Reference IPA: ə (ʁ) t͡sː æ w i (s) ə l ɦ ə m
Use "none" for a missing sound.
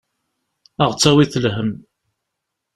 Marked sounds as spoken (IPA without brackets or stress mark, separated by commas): ʁ, θ